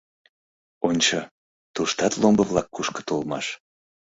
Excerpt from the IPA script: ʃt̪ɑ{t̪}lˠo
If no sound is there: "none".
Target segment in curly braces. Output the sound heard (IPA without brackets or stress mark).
t̪